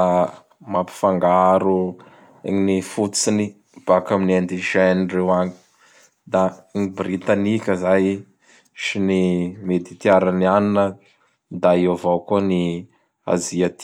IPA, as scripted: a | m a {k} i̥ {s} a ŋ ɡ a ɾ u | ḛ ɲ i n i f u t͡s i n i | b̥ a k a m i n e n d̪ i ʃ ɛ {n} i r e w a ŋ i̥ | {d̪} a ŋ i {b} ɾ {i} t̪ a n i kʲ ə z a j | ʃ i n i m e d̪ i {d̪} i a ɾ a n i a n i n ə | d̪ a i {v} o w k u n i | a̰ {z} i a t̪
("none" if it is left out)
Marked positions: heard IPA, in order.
p, f, n, d̪, b, i, t̪, v, z

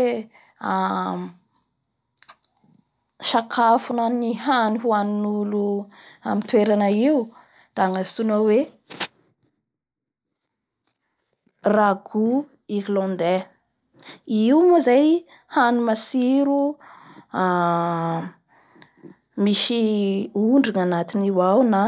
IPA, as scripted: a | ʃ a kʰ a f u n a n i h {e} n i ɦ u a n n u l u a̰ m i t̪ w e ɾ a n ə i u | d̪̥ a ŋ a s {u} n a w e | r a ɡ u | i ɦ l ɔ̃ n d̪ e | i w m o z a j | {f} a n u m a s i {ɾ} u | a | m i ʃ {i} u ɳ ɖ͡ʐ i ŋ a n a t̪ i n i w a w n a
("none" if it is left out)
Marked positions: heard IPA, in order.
a, u, h, ɾ, i

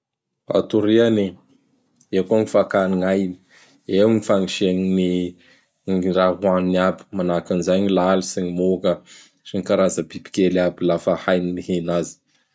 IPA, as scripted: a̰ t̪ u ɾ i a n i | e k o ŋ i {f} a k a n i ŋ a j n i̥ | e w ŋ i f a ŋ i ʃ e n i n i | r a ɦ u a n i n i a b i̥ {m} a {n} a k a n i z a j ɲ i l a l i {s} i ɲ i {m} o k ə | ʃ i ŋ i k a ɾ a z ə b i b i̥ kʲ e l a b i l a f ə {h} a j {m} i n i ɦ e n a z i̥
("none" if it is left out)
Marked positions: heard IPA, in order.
f, m, n, s, m, h, n

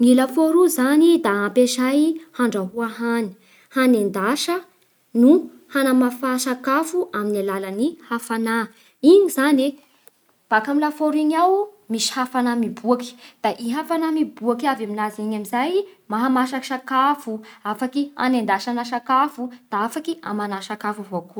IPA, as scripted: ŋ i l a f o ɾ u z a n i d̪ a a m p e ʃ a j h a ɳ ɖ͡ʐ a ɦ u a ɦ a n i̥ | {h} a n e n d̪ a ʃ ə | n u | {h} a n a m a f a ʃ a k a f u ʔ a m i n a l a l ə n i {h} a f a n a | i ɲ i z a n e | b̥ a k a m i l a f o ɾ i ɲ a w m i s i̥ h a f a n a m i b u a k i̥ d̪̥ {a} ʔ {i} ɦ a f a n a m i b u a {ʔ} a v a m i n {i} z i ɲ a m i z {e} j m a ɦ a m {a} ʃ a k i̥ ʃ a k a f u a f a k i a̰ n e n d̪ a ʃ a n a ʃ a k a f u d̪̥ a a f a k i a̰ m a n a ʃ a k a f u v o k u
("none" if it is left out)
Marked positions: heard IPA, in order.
h, h, h, a, i, k, a, a, a

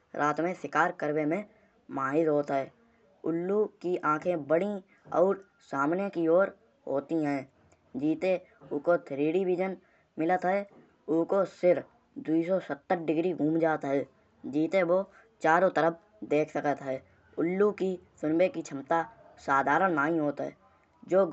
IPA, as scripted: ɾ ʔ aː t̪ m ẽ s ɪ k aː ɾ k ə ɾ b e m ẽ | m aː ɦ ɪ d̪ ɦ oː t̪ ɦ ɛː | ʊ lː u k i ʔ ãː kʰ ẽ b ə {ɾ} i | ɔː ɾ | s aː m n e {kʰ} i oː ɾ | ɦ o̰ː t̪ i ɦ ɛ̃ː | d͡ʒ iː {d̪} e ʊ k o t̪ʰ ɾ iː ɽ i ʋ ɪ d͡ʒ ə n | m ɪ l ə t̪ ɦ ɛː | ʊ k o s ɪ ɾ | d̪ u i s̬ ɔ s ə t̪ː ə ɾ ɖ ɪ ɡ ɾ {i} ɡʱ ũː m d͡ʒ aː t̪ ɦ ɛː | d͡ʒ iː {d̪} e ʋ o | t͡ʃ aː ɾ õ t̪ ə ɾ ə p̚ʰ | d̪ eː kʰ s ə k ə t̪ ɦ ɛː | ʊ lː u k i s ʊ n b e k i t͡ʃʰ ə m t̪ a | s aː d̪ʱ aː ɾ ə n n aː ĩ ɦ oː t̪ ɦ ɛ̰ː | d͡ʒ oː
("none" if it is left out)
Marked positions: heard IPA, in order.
ɽ, k, t̪, i, t̪

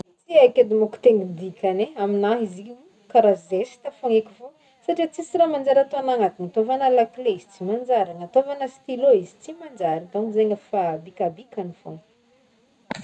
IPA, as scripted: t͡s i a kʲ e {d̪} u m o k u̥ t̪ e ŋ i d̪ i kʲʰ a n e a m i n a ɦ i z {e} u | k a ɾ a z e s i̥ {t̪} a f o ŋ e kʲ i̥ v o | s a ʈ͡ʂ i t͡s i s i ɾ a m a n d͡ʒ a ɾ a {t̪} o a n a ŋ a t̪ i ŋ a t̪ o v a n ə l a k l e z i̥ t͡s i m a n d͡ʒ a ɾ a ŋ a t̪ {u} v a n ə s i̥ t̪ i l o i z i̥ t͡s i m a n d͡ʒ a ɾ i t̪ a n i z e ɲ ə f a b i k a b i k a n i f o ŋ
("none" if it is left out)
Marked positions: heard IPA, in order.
d̪, i, t̪, t̪, o

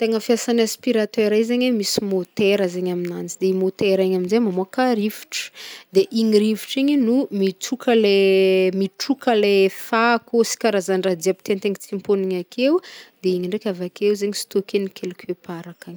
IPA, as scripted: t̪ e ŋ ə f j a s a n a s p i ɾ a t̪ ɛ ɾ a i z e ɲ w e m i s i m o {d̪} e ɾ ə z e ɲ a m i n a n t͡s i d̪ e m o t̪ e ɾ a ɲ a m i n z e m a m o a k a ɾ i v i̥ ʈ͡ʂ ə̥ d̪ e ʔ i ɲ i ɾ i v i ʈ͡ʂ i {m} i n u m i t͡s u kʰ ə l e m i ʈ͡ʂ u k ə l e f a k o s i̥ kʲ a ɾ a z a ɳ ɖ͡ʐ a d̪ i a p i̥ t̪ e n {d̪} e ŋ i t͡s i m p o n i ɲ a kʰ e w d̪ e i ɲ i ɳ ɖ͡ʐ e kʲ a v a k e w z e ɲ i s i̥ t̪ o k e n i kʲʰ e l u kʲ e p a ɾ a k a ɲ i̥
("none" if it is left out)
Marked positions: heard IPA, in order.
t̪, ɲ, t̪

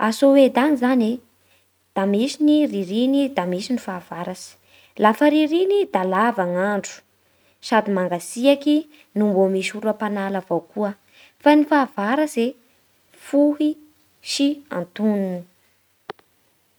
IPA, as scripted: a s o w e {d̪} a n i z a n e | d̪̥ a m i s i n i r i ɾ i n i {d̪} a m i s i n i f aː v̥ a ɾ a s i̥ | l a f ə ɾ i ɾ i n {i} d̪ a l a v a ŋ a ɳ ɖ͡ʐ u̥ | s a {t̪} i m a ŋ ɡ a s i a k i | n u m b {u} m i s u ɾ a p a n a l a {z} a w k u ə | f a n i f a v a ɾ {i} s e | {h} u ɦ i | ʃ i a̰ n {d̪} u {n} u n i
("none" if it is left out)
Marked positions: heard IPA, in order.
d̪, d̪, i, d̪, o, v, a, f, t̪, n

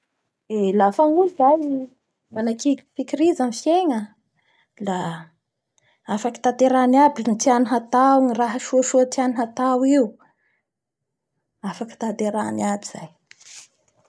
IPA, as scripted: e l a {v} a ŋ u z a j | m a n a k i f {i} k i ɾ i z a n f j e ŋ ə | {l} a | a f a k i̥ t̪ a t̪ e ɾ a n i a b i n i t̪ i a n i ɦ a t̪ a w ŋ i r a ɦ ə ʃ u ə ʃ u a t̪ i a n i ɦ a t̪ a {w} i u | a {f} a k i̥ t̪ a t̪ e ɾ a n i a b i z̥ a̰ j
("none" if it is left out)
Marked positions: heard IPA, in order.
f, i, l, w, f

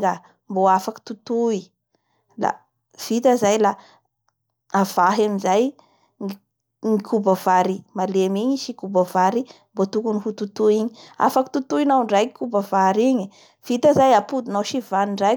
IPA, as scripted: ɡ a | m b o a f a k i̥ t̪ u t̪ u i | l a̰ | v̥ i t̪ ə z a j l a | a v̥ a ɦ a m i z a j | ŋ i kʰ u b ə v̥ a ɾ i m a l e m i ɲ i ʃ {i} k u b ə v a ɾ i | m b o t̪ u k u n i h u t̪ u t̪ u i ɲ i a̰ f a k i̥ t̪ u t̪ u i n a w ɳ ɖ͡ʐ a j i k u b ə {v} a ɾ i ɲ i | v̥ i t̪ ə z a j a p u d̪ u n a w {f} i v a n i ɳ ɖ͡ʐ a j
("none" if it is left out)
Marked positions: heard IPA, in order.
i, v, ʃ

